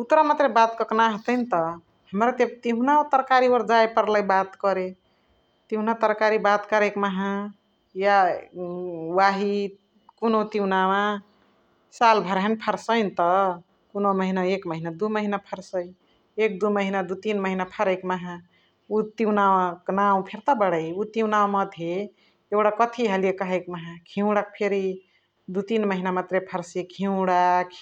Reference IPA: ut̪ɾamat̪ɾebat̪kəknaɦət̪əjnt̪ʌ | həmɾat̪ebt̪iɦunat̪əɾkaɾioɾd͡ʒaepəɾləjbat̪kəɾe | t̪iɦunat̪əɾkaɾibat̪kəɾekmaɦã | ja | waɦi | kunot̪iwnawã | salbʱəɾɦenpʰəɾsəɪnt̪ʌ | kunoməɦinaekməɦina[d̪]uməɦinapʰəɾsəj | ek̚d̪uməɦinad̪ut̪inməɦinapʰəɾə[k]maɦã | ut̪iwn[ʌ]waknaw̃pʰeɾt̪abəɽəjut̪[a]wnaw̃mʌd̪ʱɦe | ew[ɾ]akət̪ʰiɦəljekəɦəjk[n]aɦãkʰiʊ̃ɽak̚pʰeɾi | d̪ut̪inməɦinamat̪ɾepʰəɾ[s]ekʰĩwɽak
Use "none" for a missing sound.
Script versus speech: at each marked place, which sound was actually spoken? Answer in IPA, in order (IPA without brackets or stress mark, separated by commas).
d̪, k, a, i, ɽ, m, s